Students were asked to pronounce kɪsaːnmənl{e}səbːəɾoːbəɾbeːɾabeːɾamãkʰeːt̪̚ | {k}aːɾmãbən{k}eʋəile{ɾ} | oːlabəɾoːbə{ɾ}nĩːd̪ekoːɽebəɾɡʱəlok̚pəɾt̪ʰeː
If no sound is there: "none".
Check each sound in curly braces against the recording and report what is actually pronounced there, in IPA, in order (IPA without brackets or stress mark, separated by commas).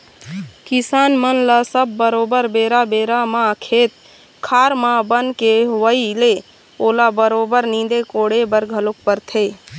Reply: a, kʰ, k, none, ɾ